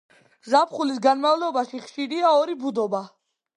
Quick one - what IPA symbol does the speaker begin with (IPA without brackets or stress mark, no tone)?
z